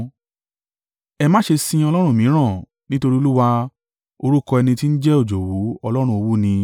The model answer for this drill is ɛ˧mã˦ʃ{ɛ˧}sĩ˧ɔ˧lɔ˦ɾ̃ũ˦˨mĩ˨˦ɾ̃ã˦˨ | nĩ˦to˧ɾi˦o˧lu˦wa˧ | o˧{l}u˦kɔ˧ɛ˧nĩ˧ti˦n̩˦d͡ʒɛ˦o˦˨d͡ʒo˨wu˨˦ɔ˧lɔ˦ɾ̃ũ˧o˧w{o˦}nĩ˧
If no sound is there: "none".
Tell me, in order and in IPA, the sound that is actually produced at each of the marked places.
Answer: e˧, ɾ, u˦

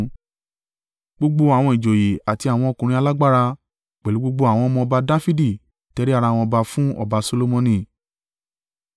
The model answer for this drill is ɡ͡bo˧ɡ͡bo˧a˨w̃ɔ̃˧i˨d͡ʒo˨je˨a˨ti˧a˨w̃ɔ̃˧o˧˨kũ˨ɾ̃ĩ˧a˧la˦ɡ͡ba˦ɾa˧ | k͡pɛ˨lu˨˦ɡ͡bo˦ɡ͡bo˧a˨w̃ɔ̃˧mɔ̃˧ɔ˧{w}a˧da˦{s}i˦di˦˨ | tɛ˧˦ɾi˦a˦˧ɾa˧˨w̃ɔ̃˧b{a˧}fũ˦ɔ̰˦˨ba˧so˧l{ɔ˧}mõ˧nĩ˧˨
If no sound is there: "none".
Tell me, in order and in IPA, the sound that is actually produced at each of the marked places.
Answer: b, f, a˧, o˧

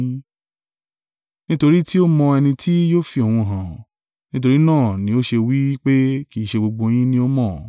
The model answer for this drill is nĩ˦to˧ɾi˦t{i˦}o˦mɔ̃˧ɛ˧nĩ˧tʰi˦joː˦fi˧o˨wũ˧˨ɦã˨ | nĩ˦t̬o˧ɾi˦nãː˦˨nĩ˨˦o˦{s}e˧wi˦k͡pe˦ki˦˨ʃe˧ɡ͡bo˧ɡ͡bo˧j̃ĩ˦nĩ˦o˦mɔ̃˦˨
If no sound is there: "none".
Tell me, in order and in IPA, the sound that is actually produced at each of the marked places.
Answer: i˦, ʃ

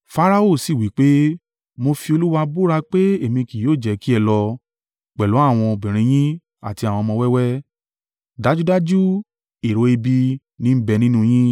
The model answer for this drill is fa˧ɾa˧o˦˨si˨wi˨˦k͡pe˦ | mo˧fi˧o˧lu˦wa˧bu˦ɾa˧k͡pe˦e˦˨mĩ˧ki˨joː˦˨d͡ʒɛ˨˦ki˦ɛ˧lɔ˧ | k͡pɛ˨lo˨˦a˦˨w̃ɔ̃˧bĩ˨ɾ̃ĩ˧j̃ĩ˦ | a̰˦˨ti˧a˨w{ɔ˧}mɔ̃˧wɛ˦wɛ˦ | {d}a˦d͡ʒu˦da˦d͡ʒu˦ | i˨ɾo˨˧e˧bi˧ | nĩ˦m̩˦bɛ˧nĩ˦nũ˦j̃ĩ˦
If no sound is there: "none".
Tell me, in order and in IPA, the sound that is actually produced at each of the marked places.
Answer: ɔ̃˧, d

